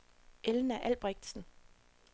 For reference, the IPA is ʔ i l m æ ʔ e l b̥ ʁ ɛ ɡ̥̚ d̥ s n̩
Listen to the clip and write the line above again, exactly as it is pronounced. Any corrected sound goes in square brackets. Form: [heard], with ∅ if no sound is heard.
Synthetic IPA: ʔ [e] l [n] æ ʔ [æ] l b̥ ʁ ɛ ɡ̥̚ d̥ s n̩